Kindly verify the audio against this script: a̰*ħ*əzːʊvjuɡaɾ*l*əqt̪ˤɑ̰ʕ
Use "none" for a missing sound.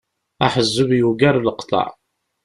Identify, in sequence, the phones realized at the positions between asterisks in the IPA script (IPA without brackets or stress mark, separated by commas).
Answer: ħ, l